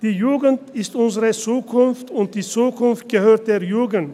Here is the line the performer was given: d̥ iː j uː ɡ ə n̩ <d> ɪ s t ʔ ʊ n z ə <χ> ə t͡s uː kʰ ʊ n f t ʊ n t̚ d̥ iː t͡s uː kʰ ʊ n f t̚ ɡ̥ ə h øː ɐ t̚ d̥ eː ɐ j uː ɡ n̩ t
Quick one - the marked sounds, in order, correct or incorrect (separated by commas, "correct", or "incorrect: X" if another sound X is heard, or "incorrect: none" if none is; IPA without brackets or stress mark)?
incorrect: t, incorrect: ʁ